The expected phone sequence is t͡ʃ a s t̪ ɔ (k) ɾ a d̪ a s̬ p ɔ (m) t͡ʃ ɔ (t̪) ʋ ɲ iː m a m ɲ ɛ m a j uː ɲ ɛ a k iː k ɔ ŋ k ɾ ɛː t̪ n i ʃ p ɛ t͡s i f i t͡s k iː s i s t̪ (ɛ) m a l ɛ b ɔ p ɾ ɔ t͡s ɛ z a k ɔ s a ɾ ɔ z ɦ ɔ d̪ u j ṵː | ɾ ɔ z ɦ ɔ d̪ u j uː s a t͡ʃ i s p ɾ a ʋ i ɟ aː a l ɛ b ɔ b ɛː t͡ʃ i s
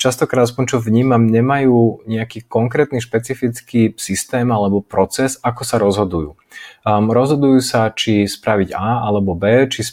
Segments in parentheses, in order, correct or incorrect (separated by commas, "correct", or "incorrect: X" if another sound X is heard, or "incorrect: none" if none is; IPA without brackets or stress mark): correct, incorrect: ɲ, incorrect: none, incorrect: ɛː